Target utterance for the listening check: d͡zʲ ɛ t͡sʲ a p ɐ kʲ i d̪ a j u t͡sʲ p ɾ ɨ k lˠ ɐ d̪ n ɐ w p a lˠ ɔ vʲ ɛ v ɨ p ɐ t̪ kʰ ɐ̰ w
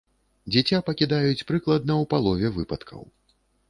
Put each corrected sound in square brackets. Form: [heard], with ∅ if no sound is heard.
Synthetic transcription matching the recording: d͡zʲ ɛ t͡sʲ a p ɐ kʲ i d̪ a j u t͡sʲ p ɾ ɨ k lˠ ɐ d̪ n ɐ w p a lˠ ɔ vʲ ɛ v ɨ p ɐ t̪ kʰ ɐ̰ w

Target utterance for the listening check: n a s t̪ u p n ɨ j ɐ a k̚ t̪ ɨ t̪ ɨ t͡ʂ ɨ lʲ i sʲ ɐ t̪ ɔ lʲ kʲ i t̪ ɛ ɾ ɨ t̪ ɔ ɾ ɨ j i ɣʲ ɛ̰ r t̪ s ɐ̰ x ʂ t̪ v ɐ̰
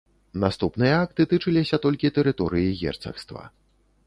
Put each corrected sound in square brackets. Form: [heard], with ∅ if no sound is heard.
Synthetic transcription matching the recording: n a s t̪ u p n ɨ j ɐ a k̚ t̪ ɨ t̪ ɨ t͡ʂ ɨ lʲ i sʲ ɐ t̪ ɔ lʲ kʲ i t̪ ɛ ɾ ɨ t̪ ɔ ɾ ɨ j i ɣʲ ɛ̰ r t̪ s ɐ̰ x [s] t̪ v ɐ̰

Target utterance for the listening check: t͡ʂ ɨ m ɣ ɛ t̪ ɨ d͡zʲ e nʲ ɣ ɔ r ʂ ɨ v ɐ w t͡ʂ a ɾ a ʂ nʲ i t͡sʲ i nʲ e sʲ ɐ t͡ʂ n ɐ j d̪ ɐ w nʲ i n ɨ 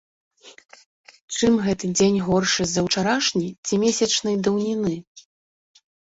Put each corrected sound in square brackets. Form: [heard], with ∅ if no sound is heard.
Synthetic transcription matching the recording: t͡ʂ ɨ m ɣ ɛ t̪ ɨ d͡zʲ e nʲ ɣ ɔ r ʂ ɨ [z] ɐ w t͡ʂ a ɾ a ʂ nʲ i t͡sʲ i [mʲ] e sʲ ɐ t͡ʂ n ɐ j d̪ ɐ w nʲ i n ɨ

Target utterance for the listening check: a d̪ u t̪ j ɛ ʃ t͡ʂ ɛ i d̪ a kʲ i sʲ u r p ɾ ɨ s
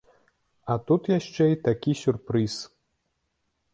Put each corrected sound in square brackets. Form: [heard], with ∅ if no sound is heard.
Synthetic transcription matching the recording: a [t̪] u t̪ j [a] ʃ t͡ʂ ɛ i [t̪] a kʲ i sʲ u r p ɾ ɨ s

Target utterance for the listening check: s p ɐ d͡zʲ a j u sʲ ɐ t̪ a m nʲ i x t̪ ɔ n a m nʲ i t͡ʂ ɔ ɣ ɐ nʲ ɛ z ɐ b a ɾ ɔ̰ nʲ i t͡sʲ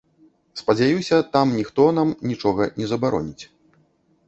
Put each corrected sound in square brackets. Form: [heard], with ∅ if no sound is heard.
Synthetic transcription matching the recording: s p ɐ d͡zʲ a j u sʲ ɐ t̪ a m nʲ i x t̪ ɔ n a m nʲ i t͡ʂ ɔ ɣ ɐ nʲ ɛ z ɐ b a ɾ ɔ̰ nʲ i t͡sʲ

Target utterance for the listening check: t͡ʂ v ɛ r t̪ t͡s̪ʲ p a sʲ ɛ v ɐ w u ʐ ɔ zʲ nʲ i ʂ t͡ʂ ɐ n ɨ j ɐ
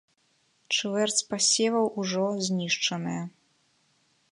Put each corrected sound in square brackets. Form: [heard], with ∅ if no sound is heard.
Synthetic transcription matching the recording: t͡ʂ v ɛ r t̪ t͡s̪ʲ p a sʲ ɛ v ɐ w u ʐ ɔ zʲ nʲ i ʂ t͡ʂ ɐ n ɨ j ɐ

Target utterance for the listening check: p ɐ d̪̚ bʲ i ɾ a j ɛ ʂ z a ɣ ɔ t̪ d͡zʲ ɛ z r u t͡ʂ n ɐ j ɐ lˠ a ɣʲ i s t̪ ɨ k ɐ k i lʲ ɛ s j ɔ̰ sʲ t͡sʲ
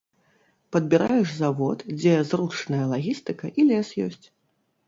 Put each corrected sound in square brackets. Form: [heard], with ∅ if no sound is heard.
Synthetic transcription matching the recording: p ɐ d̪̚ bʲ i ɾ a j ɛ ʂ z a [v] ɔ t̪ d͡zʲ ɛ z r u t͡ʂ n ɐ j ɐ lˠ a ɣʲ i s t̪ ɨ k ɐ [ʔ] i lʲ ɛ s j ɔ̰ sʲ t͡sʲ

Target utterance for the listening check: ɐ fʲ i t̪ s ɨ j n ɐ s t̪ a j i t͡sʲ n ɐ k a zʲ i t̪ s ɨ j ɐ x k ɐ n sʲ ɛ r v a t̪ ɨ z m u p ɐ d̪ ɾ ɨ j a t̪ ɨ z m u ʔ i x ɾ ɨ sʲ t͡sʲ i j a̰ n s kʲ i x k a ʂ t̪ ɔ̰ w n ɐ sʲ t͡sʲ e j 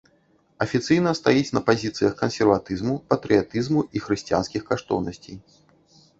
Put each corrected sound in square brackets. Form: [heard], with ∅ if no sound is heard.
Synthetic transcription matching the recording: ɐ fʲ i t̪ s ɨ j n ɐ s t̪ a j i t͡sʲ n ɐ [p] a zʲ i t̪ s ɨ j ɐ x k ɐ n sʲ ɛ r v a t̪ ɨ z m u p ɐ [t̪] ɾ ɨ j a t̪ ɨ z m u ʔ i x ɾ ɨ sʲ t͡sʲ i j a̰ n s kʲ i x k a ʂ t̪ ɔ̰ w n ɐ sʲ t͡sʲ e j

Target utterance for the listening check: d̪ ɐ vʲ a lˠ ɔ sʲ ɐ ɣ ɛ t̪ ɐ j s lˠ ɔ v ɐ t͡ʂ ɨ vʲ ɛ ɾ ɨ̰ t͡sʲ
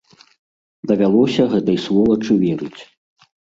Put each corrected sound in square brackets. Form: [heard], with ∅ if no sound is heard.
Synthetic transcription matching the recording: d̪ ɐ vʲ a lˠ ɔ sʲ ɐ ɣ ɛ t̪ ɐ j s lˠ ɔ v ɐ t͡ʂ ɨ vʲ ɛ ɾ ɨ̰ t͡sʲ

